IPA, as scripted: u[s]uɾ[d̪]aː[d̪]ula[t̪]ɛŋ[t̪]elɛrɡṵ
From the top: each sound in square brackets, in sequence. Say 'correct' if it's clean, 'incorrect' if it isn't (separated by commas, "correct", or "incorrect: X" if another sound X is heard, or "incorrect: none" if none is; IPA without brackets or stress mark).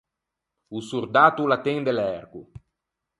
correct, correct, incorrect: t̪, correct, incorrect: d̪